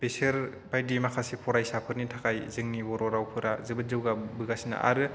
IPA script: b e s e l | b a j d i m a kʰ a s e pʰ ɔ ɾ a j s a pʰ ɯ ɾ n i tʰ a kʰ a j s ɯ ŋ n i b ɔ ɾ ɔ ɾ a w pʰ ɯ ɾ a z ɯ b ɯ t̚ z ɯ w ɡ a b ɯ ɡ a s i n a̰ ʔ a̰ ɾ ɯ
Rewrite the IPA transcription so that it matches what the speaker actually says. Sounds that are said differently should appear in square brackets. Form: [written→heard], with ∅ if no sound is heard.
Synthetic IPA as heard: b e s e [l→ɾ] | b a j d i m a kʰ a s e pʰ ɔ ɾ a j s a pʰ ɯ ɾ n i tʰ a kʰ a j [s→z] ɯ ŋ n i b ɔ ɾ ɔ ɾ a w pʰ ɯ ɾ a z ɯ b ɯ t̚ z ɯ w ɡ a b ɯ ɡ a s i n a̰ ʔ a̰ ɾ ɯ